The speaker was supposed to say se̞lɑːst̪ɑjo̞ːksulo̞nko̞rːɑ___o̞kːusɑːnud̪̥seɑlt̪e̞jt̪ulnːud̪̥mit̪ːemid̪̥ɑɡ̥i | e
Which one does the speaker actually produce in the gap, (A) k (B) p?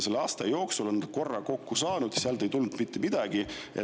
A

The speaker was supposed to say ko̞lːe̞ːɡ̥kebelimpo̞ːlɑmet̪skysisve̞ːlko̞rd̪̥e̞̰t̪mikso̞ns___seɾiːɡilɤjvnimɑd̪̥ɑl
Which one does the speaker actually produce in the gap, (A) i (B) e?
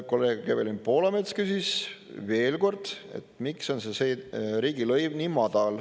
B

